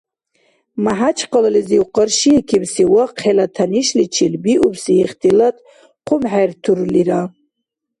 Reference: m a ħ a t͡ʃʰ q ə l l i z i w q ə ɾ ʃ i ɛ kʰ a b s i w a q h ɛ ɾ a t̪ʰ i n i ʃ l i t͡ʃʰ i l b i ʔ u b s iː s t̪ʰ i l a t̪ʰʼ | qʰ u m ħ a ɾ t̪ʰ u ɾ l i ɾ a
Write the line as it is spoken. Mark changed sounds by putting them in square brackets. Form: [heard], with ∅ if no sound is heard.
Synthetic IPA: m a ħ a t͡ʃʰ q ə l l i z i w q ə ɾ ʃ i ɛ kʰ [i] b s i w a q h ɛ [l] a t̪ʰ [a] n i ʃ l i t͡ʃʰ i l b i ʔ u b s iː [χ] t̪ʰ i l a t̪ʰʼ | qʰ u m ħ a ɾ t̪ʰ u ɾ l i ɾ a

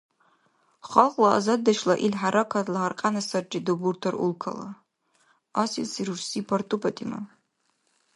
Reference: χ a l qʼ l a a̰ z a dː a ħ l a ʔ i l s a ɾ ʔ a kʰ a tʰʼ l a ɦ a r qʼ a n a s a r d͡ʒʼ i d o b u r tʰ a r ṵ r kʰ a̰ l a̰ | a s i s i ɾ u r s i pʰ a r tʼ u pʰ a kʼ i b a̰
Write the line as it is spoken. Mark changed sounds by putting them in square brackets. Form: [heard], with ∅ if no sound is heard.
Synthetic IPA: χ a l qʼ l a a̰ z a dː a [ʃ] l a ʔ i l [ħ] a ɾ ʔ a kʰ a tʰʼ l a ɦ a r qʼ a n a s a r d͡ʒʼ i d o b u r tʰ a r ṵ [l] kʰ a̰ l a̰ | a s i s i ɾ u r s i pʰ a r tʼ u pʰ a [tʼ] i [m] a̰

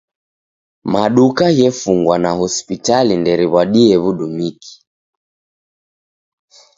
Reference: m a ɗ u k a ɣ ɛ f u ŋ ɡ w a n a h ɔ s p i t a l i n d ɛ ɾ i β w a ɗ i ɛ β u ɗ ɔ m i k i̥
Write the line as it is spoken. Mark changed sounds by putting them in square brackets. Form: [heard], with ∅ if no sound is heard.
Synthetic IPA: m a ɗ u k a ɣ ɛ f u ŋ ɡ w a n a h ɔ s p i t a l i n d ɛ ɾ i β w a ɗ i ɛ β u ɗ [u] m i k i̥

